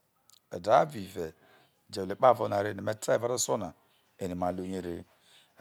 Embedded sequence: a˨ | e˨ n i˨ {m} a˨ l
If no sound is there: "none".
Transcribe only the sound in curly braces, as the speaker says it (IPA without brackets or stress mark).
m